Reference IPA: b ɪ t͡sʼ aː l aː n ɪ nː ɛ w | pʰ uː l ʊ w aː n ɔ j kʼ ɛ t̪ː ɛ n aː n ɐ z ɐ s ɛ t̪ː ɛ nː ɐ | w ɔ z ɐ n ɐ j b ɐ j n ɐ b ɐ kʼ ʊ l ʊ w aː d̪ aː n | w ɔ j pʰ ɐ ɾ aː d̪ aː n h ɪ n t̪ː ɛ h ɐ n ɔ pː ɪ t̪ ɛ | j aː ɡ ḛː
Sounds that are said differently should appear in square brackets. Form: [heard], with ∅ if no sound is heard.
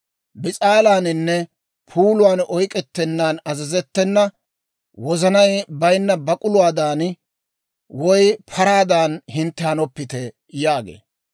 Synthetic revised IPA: b ɪ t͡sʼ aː l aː n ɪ nː ɛ [∅] | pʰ uː l ʊ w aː n ɔ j kʼ ɛ t̪ː ɛ [nː] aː n ɐ z ɐ [z] ɛ t̪ː ɛ nː ɐ | w ɔ z ɐ n ɐ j b ɐ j [nː] ɐ b ɐ kʼ ʊ l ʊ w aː d̪ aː n | w ɔ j pʰ ɐ ɾ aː d̪ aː n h ɪ n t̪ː ɛ h ɐ n ɔ pː ɪ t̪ ɛ | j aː ɡ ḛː